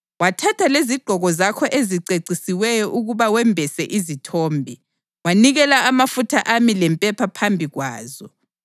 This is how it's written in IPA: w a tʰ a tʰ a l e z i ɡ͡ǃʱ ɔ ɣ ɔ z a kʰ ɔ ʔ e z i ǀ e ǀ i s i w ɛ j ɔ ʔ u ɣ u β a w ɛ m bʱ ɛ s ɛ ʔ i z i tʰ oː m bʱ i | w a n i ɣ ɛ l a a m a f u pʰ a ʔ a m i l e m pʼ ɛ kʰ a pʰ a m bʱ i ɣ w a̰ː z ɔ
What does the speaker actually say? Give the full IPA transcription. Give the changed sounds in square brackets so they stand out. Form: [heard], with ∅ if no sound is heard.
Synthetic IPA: w a tʰ a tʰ a l e z i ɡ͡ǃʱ ɔ ɣ ɔ z a kʰ ɔ ʔ e z i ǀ e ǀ i s i w ɛ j ɔ ʔ u ɣ u β a w ɛ m bʱ ɛ s ɛ ʔ i z i tʰ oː m bʱ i | w a n i ɣ ɛ l a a m a f u [tʰ] a ʔ a m i l [ɛ] m pʼ ɛ [pʰ] a pʰ a m bʱ i ɣ w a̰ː z ɔ